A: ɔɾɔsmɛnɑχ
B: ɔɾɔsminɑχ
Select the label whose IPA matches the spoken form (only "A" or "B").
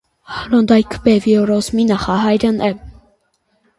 B